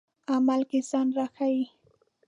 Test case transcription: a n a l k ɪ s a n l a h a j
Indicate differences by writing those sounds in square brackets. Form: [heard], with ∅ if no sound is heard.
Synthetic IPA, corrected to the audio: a [m] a l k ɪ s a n [ɾ] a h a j